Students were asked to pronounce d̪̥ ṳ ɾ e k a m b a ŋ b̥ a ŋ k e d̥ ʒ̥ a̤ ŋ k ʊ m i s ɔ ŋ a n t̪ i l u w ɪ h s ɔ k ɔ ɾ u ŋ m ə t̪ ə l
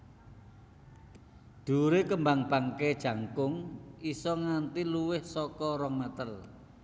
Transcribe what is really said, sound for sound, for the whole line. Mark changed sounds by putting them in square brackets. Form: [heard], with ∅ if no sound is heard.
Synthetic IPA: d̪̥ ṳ ɾ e k [ə] m b a ŋ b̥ a ŋ k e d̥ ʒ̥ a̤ ŋ k ʊ [ŋ] i s ɔ ŋ a n t̪ i l u w ɪ h s ɔ k ɔ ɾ [ɔ] ŋ m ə t̪ ə l